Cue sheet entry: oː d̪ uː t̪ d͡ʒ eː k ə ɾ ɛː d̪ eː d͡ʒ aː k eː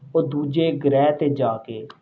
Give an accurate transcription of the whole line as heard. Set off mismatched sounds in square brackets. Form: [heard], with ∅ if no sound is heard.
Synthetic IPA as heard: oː d̪ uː [∅] d͡ʒ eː [ɡ] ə ɾ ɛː [t̪] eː d͡ʒ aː k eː